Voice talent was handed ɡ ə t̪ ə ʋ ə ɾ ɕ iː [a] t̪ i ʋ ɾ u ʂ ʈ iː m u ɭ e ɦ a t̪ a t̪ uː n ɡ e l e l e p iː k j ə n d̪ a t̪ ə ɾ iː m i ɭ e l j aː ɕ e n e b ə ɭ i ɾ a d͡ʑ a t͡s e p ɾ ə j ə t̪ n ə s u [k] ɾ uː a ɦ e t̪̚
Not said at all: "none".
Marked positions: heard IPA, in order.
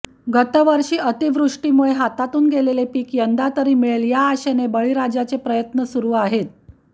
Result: ə, none

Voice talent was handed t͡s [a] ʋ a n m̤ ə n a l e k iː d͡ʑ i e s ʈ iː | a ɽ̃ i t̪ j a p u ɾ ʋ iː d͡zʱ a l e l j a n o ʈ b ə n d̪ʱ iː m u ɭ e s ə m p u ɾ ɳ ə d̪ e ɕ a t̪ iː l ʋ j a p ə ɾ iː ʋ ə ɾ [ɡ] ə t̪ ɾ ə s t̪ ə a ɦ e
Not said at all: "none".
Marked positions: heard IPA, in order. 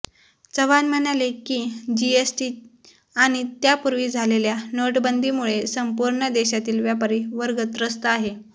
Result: ə, ɡ

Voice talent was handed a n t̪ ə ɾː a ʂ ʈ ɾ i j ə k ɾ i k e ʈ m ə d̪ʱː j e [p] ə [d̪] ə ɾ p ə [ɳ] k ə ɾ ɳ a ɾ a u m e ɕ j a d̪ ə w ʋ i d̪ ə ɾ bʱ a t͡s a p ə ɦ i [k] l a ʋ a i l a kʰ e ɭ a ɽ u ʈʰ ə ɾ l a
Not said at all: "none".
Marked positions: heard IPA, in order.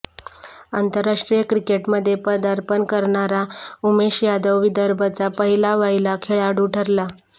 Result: p, d̪, n, none

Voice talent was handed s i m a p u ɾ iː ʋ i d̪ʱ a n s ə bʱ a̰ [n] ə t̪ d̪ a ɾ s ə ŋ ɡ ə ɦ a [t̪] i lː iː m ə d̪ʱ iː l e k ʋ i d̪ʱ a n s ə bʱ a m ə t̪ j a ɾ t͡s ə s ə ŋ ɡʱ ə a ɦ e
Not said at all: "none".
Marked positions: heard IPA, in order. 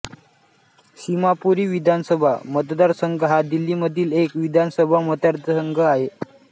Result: m, d̪

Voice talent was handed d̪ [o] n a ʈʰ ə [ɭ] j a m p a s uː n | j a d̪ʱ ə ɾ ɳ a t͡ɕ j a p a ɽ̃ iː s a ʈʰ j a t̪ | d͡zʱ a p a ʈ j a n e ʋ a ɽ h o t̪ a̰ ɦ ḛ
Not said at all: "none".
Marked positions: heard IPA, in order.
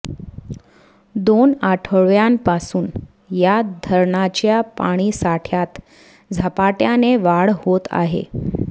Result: o, ɭ

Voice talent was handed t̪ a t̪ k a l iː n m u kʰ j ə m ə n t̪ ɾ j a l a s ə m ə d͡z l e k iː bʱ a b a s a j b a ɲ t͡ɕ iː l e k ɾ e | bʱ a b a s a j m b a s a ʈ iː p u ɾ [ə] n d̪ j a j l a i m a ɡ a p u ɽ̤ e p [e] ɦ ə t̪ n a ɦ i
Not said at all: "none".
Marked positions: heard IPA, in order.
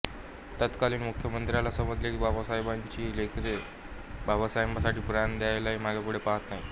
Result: a, a

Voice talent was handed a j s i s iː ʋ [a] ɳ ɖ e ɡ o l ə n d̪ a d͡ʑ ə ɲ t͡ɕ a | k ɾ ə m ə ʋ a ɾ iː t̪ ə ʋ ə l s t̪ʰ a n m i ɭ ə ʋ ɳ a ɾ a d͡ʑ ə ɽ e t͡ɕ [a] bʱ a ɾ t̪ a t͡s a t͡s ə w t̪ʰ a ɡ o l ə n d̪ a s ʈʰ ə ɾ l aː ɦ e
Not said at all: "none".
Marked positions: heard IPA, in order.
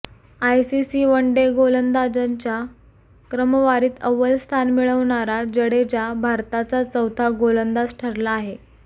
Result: ə, a

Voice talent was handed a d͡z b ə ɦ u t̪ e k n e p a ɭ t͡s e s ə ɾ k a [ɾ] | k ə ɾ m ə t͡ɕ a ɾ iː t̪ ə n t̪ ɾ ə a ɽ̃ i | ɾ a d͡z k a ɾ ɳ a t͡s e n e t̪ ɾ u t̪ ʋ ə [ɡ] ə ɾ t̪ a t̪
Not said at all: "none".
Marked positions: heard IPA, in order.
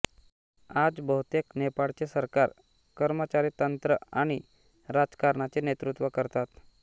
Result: ɾ, k

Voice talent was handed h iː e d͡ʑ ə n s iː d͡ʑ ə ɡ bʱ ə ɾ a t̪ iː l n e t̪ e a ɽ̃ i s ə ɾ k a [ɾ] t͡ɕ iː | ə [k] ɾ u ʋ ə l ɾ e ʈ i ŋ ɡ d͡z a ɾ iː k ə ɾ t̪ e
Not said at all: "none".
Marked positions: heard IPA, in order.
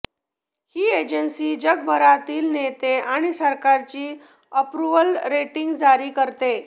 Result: ɾ, p

